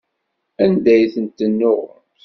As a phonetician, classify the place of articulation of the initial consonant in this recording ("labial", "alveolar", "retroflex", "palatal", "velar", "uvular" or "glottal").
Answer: alveolar